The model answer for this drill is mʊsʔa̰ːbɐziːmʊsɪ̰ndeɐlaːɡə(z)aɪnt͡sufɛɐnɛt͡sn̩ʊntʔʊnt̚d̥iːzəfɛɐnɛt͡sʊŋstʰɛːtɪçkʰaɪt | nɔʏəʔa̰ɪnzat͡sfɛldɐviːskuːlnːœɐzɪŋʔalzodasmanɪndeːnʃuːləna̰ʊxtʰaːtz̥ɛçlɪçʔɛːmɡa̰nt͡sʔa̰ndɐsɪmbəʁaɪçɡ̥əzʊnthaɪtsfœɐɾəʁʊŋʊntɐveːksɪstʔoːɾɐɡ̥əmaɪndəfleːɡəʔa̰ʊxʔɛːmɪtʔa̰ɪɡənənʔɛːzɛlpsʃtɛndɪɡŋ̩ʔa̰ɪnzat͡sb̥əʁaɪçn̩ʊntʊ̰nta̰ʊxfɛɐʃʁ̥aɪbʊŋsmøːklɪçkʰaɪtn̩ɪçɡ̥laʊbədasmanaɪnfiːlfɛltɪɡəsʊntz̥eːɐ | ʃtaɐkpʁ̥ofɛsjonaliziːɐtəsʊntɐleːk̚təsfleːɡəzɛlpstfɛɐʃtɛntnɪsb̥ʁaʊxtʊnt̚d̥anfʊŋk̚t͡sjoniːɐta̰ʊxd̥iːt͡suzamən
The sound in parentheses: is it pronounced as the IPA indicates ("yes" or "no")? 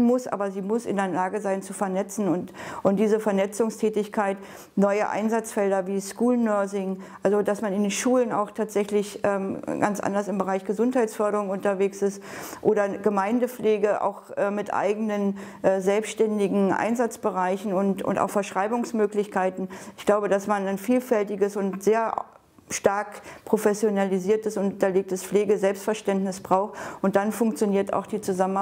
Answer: yes